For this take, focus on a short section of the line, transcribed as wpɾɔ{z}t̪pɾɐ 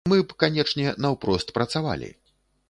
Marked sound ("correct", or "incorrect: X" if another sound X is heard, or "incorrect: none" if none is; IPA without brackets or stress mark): incorrect: s